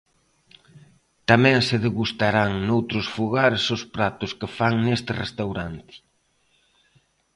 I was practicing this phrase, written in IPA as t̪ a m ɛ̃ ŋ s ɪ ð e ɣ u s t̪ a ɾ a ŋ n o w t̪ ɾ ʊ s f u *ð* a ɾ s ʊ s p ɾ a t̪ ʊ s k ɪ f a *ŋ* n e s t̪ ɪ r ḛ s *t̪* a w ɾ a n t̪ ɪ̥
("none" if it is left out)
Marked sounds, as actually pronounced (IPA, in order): ɣ, ŋ, t̪

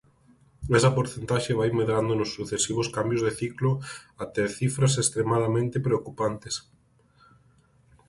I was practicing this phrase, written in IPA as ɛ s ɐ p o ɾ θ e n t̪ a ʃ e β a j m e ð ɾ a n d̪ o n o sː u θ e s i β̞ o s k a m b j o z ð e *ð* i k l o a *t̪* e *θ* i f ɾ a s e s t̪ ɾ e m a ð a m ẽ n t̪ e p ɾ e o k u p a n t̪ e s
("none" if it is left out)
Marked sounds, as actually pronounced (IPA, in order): θ, t̪, θ

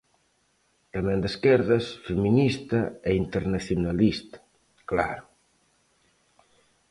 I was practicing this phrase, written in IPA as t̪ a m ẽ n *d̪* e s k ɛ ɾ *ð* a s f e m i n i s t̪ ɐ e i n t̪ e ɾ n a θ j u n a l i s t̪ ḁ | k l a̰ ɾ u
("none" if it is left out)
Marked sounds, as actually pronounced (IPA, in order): d̪, ð

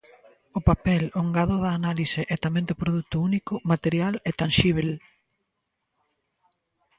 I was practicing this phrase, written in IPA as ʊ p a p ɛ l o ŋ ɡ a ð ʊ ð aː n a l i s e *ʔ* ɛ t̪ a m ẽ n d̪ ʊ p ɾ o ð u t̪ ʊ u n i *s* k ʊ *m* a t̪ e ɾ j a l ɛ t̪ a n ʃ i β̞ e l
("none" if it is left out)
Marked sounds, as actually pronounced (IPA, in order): ʔ, none, m

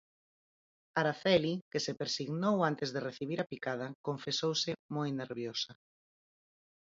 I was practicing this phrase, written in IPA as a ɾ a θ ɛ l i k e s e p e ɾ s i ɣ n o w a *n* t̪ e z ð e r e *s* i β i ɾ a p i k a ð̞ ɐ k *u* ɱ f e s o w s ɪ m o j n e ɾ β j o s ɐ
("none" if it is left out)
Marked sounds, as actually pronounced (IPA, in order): n, θ, o

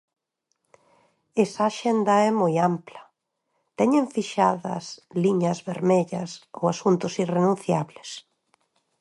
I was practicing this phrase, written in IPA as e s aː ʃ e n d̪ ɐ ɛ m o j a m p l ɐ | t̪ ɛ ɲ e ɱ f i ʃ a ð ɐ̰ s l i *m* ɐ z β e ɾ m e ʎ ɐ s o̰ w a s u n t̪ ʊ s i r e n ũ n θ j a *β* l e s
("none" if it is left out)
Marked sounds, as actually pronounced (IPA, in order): ɲ, β

